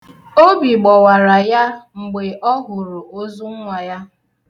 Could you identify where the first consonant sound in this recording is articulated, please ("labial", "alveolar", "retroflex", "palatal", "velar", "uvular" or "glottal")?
labial